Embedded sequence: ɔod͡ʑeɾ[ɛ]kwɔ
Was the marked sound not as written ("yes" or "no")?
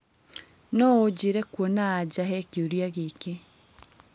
no